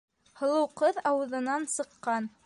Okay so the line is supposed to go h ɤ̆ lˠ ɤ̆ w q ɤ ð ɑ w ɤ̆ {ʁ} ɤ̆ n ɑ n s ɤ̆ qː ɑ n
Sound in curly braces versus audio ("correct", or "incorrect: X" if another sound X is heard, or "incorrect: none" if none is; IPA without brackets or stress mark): incorrect: ð